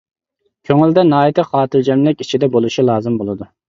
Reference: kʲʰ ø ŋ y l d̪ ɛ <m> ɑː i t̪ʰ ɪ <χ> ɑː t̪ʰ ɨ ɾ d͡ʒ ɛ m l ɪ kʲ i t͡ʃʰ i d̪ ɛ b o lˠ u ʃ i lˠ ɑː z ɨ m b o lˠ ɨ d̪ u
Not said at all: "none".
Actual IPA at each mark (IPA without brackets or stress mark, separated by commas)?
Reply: n, χ